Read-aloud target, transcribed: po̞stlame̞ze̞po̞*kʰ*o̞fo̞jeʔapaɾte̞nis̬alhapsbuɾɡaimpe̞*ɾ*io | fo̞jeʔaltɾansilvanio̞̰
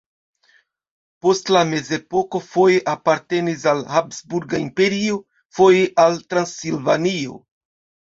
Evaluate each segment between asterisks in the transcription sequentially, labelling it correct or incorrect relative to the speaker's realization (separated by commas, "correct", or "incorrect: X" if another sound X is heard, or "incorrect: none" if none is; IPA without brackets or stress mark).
incorrect: k, correct